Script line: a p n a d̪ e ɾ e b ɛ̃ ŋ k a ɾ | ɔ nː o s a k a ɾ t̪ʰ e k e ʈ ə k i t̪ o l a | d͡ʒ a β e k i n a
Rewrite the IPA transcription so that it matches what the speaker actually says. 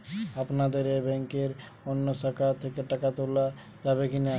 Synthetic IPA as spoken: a p n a d̪ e ɾ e b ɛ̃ ŋ k e ɾ | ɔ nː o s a k a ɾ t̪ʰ e k e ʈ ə k a t̪ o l a | d͡ʒ a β e k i n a